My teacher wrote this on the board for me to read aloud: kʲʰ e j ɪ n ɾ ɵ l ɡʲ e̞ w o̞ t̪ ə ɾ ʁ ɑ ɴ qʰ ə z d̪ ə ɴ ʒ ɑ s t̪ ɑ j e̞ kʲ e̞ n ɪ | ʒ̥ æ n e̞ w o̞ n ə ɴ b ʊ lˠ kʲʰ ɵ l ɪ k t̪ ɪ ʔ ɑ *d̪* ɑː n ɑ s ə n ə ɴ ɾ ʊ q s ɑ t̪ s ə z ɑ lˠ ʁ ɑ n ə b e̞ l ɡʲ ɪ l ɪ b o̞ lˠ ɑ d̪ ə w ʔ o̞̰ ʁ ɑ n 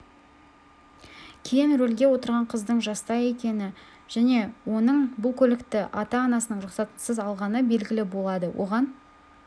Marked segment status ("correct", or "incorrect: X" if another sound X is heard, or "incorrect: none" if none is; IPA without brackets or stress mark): incorrect: t̪